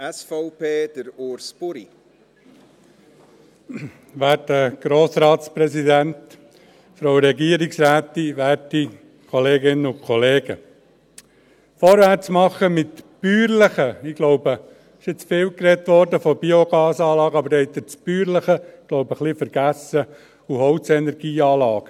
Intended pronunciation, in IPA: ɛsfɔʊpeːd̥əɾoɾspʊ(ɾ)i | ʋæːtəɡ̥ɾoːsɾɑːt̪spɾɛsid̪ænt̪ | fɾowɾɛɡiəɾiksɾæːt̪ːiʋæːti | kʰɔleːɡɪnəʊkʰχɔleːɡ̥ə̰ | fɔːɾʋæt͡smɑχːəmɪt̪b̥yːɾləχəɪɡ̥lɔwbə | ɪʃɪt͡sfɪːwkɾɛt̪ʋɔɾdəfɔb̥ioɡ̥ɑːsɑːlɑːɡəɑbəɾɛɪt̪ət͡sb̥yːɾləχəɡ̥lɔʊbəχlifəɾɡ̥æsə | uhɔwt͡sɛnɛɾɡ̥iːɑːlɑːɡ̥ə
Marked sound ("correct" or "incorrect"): correct